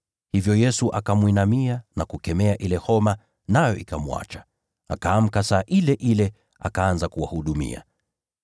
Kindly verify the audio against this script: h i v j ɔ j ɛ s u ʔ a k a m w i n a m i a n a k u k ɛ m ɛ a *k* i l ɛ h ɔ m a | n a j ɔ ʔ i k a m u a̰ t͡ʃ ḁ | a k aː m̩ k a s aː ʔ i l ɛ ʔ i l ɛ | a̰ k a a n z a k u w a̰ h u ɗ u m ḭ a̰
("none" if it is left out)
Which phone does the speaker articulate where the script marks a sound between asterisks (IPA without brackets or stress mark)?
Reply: ʔ